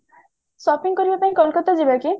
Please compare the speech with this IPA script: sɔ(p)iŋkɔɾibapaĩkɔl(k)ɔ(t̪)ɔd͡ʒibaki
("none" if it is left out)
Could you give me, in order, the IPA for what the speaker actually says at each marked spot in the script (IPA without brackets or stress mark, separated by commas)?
p, k, t̪